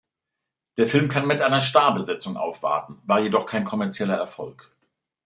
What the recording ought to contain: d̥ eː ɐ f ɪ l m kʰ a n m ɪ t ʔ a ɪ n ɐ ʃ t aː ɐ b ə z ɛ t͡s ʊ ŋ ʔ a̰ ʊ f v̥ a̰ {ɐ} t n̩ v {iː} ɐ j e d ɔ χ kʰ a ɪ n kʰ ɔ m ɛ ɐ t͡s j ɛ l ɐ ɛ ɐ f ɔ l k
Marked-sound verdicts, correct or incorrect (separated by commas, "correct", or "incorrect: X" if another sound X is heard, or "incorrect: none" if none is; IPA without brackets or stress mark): correct, incorrect: aː